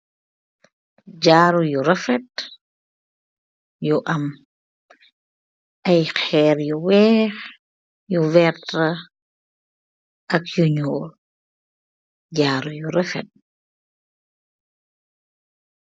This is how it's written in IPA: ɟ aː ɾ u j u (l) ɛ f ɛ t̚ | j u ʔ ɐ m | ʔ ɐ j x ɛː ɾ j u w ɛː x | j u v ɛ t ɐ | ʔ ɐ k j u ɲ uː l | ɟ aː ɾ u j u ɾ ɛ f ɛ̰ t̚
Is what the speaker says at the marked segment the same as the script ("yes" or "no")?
no